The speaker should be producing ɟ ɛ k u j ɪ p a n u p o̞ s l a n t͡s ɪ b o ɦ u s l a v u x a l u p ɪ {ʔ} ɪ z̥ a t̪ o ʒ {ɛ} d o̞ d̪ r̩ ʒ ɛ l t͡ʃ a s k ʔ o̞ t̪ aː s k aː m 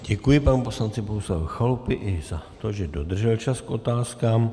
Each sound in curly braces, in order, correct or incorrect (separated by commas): correct, correct